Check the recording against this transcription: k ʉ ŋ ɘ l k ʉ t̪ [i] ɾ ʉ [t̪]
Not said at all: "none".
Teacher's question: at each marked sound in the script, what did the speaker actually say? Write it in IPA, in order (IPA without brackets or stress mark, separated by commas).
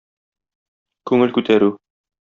æ, none